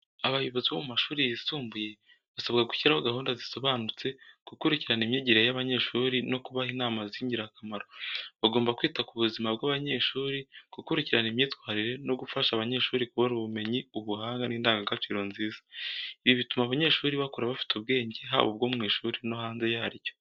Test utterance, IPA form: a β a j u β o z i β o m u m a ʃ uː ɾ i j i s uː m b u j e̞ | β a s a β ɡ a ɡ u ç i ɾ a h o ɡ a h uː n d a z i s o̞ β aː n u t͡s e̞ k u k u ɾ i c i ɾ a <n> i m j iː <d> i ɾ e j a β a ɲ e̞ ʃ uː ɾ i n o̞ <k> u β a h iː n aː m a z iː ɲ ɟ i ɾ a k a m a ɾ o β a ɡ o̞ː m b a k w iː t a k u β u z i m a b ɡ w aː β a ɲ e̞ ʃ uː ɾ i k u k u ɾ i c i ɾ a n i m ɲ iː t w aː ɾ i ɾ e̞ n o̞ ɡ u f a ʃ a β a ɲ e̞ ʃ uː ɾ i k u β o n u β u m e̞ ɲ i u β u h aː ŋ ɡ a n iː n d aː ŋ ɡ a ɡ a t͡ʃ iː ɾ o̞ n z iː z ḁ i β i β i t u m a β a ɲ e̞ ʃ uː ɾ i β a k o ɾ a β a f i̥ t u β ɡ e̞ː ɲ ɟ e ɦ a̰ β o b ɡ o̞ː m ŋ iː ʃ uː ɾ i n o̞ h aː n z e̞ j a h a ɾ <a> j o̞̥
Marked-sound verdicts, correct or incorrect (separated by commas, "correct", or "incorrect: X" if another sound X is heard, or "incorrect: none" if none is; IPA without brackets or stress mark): correct, incorrect: ɟ, correct, incorrect: i